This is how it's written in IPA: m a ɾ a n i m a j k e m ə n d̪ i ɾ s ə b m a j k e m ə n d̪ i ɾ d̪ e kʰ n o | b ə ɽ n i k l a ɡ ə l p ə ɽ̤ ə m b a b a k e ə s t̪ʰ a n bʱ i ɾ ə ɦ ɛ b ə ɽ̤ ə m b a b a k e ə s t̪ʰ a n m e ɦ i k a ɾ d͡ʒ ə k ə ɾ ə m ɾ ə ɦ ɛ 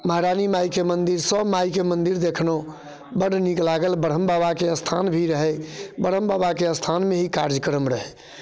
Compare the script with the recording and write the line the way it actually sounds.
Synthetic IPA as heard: m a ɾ a n i m a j k e m ə n d̪ i ɾ s ə b m a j k e m ə n d̪ i ɾ d̪ e kʰ n o | b ə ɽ n i k l a ɡ ə l b ə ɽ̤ ə m b a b a k e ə s t̪ʰ a n bʱ i ɾ ə ɦ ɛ b ə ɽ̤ ə m b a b a k e ə s t̪ʰ a n m e ɦ i k a ɾ d͡ʒ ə k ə ɾ ə m ɾ ə ɦ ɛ